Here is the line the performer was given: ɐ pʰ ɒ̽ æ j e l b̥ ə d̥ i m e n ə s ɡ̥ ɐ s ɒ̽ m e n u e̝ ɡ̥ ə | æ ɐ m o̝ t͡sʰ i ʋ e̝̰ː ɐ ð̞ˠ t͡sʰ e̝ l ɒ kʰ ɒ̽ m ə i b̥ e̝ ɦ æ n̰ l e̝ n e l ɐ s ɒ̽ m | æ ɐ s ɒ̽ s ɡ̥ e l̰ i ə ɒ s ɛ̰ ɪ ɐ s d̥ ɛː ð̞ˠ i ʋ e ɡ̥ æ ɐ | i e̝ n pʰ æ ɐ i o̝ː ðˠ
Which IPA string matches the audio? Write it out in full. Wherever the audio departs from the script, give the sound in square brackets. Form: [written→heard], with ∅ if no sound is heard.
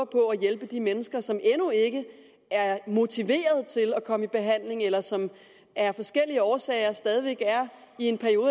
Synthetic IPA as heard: ɐ pʰ ɒ̽ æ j e l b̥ ə d̥ i m e n ə s ɡ̥ ɐ s ɒ̽ m e n u e̝ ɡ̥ ə | æ ɐ m o̝ t͡sʰ i ʋ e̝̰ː ɐ ð̞ˠ t͡sʰ e̝ l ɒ kʰ ɒ̽ m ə i b̥ e̝ ɦ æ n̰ l e̝ [n→ŋ] e l ɐ s ɒ̽ m | æ ɐ [s→f] ɒ̽ s ɡ̥ e l̰ i ə [ɒ→ɒː] s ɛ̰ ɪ ɐ s d̥ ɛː ð̞ˠ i ʋ e ɡ̥ æ ɐ | i e̝ n pʰ æ ɐ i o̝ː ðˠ